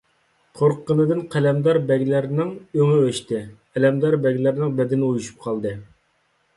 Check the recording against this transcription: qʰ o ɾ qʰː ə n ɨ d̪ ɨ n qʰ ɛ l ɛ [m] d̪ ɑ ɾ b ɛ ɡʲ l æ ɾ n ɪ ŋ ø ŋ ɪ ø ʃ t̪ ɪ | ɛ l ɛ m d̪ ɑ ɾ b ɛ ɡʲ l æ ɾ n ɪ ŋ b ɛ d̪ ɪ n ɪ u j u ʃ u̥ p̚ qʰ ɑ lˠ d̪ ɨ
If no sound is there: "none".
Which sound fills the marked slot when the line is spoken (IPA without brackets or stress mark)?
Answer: m